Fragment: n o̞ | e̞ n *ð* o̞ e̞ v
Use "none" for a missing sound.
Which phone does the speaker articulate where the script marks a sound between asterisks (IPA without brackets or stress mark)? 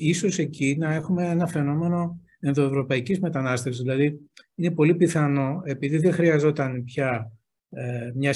ð